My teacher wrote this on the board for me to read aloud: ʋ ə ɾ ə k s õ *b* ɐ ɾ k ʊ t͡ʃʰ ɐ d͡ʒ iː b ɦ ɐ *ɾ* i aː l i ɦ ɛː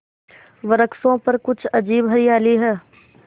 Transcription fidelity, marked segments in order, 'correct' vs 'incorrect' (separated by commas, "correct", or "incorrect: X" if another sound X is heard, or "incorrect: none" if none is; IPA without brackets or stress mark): incorrect: p, correct